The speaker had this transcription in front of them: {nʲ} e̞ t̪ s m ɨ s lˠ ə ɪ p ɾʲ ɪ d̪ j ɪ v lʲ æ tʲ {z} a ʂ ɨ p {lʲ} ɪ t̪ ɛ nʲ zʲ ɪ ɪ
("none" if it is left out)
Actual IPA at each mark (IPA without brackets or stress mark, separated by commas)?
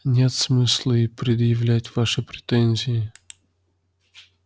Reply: nʲ, v, ɾʲ